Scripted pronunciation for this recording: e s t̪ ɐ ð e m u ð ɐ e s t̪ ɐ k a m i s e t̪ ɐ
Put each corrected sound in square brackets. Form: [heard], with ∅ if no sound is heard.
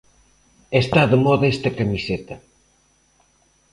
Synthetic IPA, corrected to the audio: e s t̪ [a] ð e m [ɔ] ð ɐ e s t̪ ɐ k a m i s e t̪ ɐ